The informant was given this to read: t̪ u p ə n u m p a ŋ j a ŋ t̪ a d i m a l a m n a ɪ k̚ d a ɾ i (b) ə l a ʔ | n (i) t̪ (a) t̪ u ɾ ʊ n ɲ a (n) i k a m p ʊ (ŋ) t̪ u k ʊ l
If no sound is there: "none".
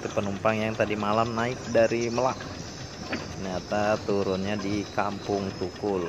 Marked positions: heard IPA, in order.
m, a, a, d, ŋ

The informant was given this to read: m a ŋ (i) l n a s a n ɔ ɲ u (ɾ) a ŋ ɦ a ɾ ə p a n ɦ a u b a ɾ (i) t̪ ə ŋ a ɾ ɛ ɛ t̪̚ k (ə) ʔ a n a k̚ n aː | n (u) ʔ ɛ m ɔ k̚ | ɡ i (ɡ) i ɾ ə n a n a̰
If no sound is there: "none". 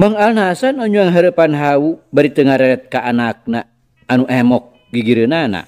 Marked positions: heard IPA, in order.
a, none, i, a, u, ɡ

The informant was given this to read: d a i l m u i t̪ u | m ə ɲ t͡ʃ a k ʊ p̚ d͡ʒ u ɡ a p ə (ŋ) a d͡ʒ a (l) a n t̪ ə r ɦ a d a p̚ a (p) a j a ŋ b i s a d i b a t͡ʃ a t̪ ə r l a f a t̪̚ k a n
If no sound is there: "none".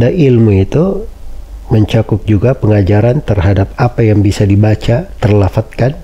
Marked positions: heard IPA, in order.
ŋ, ɾ, p

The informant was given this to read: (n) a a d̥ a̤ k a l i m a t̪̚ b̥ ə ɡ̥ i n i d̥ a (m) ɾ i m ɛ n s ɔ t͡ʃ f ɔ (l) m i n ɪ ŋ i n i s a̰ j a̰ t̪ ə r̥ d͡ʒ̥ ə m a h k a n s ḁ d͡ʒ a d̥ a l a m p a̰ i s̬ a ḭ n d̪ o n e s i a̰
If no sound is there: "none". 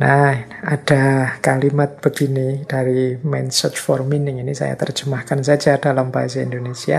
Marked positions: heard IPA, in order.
n, none, r

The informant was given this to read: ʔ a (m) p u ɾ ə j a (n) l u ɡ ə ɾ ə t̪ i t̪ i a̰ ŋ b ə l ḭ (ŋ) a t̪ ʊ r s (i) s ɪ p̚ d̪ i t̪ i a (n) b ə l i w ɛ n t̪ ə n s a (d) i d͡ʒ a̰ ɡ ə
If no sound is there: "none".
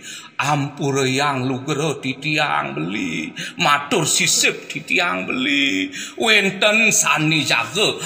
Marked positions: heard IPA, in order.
m, ŋ, m, i, ŋ, n

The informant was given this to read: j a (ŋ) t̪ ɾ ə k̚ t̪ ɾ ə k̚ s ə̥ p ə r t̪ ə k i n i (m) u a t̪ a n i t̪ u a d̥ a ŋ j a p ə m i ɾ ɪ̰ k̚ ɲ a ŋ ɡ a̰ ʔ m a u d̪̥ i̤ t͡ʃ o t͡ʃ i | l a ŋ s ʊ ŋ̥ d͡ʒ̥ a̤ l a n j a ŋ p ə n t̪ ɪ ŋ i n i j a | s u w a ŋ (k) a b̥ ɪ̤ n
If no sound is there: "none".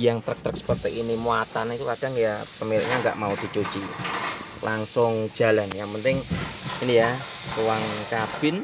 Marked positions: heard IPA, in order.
ŋ, m, k

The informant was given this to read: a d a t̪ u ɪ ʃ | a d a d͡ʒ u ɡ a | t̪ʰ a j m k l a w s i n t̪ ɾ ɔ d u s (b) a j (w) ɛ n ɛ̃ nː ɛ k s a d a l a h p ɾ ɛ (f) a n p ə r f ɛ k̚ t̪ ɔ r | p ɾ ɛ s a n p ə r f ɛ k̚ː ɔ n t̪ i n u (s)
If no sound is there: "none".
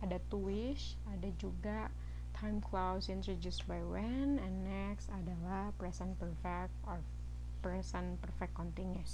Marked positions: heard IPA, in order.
b, w, s, s

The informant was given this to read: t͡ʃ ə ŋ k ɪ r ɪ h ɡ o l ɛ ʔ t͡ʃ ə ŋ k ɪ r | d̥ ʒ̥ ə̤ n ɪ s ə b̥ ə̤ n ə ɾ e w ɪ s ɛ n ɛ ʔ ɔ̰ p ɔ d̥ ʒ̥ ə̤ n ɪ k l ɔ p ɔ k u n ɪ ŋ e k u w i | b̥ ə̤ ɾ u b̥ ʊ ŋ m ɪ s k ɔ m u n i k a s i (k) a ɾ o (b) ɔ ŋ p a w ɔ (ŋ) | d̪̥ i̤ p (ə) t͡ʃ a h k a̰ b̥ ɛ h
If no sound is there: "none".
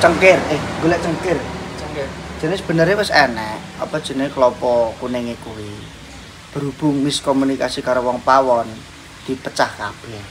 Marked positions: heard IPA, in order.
k, w, n, ə

